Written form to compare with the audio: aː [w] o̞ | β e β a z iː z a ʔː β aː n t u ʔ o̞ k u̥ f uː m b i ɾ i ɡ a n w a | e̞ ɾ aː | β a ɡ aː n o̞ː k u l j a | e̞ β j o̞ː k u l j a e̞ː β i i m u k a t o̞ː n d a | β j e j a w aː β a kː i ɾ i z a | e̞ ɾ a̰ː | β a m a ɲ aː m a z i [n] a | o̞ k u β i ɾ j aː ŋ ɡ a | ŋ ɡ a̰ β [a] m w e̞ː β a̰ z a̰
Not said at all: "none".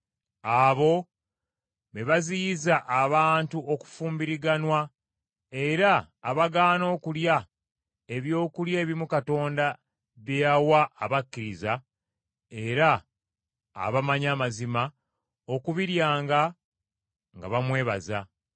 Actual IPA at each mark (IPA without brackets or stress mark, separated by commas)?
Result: β, m, a